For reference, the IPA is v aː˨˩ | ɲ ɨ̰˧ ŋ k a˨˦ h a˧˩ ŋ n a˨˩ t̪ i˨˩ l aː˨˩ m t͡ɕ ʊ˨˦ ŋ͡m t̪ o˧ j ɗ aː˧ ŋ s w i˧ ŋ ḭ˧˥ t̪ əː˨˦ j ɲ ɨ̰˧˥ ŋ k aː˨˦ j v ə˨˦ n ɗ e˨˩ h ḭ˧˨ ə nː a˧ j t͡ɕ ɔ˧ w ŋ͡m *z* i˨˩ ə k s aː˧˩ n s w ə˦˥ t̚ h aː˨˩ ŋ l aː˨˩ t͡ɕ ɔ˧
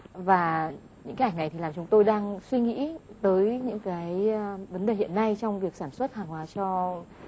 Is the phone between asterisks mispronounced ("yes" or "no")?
yes